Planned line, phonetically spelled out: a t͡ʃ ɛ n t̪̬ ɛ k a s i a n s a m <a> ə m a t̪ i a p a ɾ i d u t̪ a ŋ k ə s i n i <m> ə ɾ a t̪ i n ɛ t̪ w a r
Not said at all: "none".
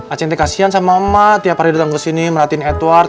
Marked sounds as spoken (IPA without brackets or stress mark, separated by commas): a, m